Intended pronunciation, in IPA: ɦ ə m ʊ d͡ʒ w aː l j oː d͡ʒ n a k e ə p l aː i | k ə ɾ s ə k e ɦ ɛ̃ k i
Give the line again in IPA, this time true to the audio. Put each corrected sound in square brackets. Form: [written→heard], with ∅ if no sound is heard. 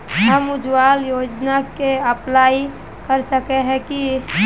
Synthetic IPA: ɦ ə m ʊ d͡ʒ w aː l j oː d͡ʒ n a k e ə p l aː i | k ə ɾ s ə k e ɦ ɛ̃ k i